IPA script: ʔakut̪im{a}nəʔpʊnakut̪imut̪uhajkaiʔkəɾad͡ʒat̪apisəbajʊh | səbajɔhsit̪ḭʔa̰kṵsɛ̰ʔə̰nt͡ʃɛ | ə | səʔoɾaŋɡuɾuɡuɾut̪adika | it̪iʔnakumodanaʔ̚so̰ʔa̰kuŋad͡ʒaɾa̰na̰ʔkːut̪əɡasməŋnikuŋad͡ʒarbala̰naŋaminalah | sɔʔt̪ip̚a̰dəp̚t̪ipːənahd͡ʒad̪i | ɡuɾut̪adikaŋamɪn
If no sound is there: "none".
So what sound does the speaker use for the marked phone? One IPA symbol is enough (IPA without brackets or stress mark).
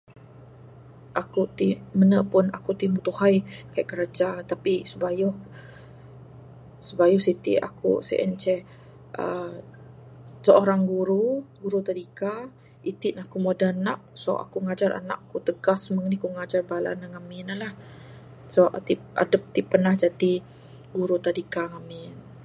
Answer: ə